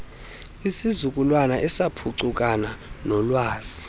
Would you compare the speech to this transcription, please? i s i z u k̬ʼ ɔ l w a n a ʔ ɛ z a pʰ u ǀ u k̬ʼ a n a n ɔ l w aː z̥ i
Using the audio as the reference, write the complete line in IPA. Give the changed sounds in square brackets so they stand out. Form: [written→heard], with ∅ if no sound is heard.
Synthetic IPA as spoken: i s i z u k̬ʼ [ɔ→u] l w a n a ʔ ɛ [z→s] a pʰ u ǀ u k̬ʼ a n a n ɔ l w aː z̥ i

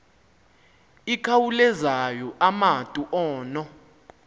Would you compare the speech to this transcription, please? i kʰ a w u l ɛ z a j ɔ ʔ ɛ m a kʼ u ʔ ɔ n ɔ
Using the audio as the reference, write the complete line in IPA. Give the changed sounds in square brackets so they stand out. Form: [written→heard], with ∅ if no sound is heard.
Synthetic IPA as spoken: i kʰ a w u l ɛ z a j ɔ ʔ [ɛ→a] m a [kʼ→tʼ] u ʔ [ɔ→ɔː] n ɔ

